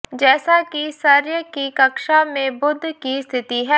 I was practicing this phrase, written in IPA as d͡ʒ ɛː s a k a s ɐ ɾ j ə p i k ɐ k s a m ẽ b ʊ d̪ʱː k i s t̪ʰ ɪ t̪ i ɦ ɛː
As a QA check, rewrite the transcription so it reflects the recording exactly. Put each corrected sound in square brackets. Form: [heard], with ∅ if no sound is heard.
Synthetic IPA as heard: d͡ʒ ɛː s a k [i] s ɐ ɾ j ə [k] i k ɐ k [ʃ] a m ẽ b ʊ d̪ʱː k i s t̪ʰ ɪ t̪ i ɦ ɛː